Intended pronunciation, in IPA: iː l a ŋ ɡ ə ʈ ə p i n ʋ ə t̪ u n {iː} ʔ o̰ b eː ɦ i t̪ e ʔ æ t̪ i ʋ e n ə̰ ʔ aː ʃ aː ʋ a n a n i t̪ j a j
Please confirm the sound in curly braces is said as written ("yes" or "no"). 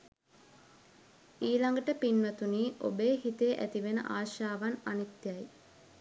yes